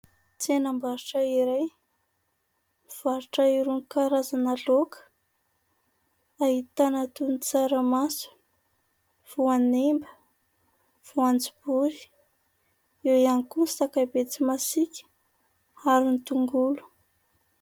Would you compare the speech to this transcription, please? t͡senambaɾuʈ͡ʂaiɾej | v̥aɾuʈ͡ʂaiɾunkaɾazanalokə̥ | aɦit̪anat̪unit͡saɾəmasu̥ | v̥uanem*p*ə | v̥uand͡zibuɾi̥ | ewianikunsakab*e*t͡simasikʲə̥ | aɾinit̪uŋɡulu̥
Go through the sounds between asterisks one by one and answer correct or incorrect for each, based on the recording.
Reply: incorrect: b, correct

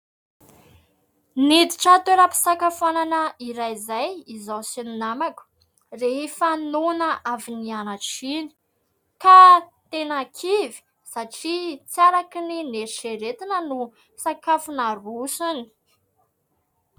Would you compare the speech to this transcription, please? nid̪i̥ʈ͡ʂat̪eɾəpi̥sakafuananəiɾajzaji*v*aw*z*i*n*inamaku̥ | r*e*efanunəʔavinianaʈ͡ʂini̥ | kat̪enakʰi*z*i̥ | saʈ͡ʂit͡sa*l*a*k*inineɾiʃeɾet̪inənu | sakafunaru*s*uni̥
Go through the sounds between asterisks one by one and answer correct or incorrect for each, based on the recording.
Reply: incorrect: z, incorrect: s, correct, correct, incorrect: v, incorrect: ɾ, correct, correct

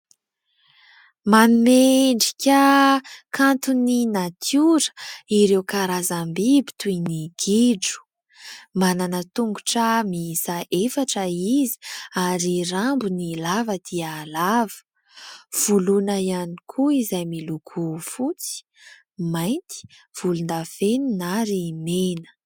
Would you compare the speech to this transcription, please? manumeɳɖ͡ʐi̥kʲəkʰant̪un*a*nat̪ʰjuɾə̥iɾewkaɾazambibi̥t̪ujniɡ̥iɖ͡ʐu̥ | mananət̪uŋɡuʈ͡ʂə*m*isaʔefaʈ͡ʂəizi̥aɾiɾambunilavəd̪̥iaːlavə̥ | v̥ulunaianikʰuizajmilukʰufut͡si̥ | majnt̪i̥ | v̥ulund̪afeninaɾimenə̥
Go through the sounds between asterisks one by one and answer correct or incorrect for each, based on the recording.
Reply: incorrect: i, correct

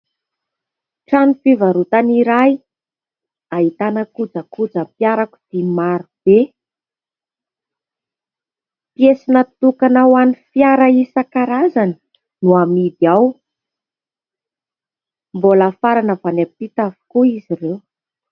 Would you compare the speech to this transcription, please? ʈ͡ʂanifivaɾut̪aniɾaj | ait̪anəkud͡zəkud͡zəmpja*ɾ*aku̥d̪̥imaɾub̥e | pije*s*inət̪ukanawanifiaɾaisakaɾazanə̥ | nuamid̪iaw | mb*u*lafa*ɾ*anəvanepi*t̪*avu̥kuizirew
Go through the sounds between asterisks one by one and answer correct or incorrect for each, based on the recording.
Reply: correct, correct, incorrect: o, correct, correct

